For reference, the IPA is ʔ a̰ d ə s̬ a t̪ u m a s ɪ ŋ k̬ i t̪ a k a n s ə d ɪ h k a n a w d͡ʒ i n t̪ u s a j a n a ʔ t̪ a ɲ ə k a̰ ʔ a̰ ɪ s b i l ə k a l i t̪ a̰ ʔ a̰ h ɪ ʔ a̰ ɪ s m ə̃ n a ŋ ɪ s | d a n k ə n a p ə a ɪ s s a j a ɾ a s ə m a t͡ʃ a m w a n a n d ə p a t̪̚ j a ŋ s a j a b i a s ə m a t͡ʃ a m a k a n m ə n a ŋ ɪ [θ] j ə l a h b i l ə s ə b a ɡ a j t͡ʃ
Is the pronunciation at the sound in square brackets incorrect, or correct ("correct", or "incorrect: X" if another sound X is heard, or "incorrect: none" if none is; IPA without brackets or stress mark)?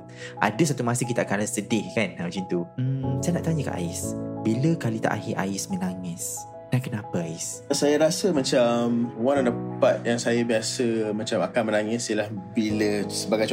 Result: incorrect: s